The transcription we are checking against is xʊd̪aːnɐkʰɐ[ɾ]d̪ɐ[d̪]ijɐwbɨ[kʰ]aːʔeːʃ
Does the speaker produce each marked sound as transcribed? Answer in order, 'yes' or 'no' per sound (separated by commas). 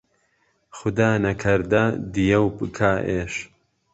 yes, yes, yes